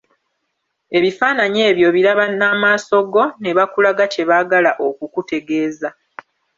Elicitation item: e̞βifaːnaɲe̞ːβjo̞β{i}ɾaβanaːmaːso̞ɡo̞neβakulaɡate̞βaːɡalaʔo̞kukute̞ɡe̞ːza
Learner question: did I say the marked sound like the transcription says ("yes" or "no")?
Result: yes